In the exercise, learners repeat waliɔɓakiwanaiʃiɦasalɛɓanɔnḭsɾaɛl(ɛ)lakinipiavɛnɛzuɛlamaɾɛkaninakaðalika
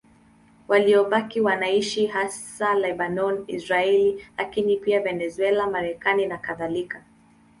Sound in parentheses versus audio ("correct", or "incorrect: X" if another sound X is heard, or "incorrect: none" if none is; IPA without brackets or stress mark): incorrect: i